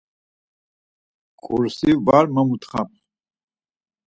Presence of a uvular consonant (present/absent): present